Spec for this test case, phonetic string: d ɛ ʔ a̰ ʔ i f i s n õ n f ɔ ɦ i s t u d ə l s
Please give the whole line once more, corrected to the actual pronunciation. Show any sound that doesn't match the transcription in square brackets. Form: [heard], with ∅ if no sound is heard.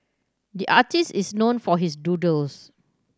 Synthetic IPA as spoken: d [i] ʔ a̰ [t] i [s] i s n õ n f ɔ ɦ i s [d] u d ə l s